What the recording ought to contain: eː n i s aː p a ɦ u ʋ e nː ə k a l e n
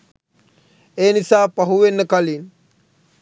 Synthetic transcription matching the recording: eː n i s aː p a ɦ u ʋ e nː ə k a l i n